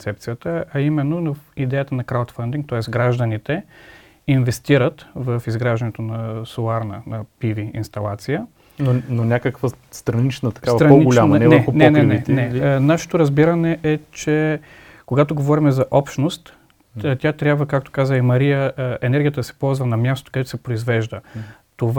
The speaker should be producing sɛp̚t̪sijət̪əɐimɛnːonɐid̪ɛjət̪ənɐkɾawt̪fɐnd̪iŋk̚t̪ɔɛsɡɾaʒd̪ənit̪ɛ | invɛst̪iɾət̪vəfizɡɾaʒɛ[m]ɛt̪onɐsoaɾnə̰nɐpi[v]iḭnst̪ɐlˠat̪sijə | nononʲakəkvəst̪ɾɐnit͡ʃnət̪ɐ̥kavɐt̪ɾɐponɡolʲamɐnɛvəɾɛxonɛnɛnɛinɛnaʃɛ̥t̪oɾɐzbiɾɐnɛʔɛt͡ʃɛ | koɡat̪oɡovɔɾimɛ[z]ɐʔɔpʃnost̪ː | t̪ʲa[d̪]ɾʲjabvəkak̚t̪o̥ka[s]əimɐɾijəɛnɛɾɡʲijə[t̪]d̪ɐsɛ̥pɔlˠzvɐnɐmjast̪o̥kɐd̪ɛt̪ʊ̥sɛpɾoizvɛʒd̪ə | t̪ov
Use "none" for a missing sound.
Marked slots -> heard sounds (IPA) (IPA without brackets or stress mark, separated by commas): n, v, z, t̪, z, t̪